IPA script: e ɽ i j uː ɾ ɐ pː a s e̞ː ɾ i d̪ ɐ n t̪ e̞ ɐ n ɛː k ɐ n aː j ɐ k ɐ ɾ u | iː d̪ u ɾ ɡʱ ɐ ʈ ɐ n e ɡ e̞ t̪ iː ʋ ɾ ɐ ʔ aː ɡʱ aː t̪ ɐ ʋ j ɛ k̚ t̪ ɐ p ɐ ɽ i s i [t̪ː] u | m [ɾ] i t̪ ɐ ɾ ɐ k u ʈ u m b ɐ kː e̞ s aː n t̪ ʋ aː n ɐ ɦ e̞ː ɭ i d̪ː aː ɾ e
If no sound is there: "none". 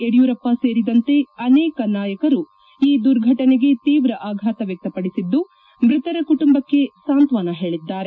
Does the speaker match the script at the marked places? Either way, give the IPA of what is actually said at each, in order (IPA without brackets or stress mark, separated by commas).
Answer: d̪ː, ɾ